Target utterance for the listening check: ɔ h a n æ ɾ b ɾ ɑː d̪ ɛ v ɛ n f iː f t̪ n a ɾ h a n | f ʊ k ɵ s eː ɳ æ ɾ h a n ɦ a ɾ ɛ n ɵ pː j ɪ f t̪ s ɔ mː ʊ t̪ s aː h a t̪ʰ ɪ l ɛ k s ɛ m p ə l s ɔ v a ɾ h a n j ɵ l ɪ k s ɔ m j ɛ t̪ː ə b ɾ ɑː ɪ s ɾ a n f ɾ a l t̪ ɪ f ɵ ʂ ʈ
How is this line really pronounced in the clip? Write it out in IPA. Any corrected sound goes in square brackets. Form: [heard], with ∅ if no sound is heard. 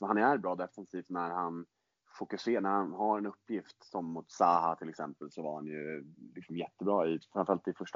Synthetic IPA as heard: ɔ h a n æ ɾ b ɾ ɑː d̪ ɛ [f] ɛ n [s] iː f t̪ n [æ] ɾ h a n | f ʊ k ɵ s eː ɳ æ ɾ h a n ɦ a ɾ ɛ n ɵ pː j ɪ f t̪ s ɔ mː ʊ t̪ s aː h a t̪ʰ ɪ l ɛ k s ɛ m p ə l s ɔ v a ɾ h a n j ɵ l ɪ k s ɔ m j ɛ t̪ː ə b ɾ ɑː ɪ [f] ɾ a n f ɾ a l t̪ ɪ f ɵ ʂ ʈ